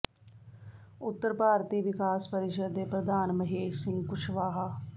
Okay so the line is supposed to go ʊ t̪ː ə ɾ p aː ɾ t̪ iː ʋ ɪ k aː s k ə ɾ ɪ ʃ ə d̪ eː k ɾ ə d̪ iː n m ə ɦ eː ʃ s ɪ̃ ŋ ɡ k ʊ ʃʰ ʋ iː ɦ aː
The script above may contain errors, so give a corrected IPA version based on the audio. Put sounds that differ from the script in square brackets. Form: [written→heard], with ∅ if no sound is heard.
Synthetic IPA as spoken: ʊ t̪ː ə ɾ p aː ɾ t̪ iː ʋ ɪ k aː s [k→p] ə ɾ ɪ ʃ ə d̪ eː [k→p] ɾ ə d̪ [iː→aː] n m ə ɦ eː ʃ s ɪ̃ ŋ ɡ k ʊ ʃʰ ʋ [iː→aː] ɦ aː